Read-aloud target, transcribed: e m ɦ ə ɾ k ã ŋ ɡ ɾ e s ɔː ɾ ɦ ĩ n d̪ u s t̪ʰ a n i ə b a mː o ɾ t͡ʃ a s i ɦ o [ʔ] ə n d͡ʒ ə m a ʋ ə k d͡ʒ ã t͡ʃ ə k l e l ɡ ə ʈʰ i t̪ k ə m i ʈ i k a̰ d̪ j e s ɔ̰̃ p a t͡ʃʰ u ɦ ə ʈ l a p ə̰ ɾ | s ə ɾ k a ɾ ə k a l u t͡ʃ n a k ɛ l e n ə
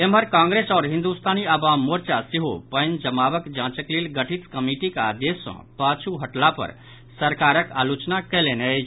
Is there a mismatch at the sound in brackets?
yes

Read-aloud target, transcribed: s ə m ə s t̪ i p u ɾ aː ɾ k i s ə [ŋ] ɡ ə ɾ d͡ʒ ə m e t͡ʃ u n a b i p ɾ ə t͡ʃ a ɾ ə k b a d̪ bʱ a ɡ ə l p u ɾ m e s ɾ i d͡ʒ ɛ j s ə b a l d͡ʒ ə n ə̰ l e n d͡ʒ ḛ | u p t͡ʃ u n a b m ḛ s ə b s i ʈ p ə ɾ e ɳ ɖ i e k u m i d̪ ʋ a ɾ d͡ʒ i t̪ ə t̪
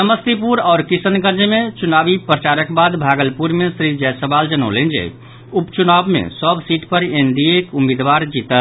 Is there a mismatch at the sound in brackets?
yes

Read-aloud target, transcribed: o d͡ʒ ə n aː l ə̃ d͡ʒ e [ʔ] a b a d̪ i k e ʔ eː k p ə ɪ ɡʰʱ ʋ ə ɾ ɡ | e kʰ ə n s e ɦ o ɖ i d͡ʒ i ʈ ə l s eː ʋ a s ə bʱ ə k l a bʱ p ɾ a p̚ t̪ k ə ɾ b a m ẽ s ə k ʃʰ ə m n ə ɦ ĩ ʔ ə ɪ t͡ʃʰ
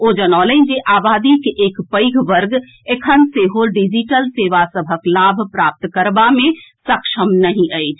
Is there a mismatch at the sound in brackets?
no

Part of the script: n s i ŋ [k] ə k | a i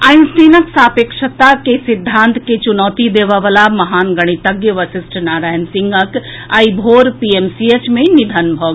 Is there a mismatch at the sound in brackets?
yes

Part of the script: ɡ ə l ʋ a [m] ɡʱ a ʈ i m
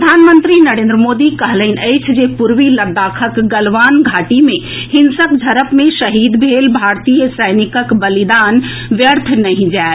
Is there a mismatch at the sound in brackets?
yes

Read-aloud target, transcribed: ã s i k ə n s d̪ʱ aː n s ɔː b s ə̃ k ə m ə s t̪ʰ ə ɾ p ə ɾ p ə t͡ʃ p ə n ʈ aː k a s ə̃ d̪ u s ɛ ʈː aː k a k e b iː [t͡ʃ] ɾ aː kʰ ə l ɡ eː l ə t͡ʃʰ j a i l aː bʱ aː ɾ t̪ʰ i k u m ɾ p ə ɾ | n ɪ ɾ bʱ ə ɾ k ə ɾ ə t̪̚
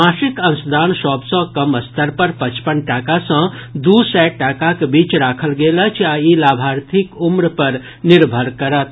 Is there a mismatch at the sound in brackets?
no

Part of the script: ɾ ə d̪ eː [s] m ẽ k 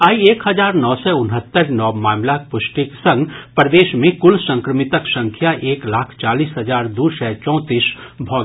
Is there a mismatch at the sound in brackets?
yes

